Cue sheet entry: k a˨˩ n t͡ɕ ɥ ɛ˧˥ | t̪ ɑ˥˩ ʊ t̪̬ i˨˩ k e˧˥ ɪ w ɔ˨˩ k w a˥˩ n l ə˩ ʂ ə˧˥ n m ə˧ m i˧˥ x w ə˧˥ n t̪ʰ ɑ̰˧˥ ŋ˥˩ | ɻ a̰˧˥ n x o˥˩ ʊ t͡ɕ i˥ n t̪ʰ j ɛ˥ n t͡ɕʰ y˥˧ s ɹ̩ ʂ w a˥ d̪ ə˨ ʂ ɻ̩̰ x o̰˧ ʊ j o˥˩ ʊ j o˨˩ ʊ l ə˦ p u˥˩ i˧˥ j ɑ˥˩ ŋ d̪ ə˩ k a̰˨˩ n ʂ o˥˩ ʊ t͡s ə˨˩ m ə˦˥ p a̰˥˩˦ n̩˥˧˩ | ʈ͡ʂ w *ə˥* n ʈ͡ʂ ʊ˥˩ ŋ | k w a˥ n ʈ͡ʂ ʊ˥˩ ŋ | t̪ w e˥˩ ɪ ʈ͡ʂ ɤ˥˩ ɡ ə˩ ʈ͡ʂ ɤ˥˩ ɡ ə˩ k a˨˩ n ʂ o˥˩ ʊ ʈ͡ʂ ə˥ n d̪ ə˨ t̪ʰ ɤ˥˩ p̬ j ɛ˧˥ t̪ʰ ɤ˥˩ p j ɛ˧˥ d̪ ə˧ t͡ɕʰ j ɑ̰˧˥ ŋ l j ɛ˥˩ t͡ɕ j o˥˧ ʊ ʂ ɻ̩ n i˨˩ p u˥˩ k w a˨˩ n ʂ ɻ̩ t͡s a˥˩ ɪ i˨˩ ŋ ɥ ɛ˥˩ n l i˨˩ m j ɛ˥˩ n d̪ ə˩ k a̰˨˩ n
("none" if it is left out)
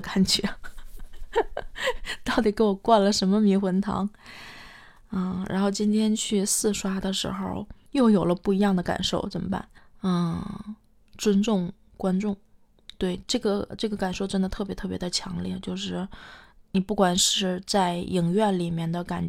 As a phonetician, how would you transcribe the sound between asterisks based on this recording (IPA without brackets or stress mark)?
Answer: ə˥